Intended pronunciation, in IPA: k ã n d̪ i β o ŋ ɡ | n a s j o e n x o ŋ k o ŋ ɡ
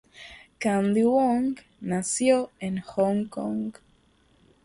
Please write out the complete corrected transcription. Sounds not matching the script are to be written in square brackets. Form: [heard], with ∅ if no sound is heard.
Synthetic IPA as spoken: k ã n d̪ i [w] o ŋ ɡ | n a s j o e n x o ŋ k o ŋ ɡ

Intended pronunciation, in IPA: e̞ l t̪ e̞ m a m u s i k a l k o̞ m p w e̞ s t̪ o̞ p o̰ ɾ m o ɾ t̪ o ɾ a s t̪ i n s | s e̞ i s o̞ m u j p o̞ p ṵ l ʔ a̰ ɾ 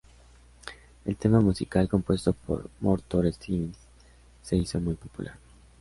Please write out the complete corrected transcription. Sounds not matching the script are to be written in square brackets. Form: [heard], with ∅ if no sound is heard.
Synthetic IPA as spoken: e̞ l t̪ e̞ m a m u s i k a l k o̞ m p w e̞ s t̪ o̞ p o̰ ɾ m o ɾ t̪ o ɾ [e] s t̪ i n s | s e̞ i s o̞ m u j p o̞ p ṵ l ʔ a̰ ɾ

